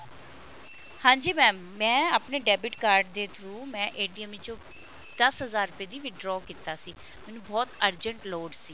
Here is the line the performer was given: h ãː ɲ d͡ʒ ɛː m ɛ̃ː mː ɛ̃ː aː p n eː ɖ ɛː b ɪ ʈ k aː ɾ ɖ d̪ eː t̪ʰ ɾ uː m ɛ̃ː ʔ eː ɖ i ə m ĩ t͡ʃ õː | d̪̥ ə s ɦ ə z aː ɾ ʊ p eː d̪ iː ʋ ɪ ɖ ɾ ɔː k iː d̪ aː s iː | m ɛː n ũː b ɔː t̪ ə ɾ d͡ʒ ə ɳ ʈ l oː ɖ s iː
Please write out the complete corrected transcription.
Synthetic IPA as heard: h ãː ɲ d͡ʒ iː m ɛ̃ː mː ɛ̃ː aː p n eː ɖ ɛː b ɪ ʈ k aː ɾ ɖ d̪ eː t̪ʰ ɾ uː m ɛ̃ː ʔ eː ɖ i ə m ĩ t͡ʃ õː | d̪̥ ə s ɦ ə z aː ɾ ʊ p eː d̪ iː ʋ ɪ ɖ ɾ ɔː k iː t̪ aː s iː | m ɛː n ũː b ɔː t̪ ə ɾ d͡ʒ ə ɳ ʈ l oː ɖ s iː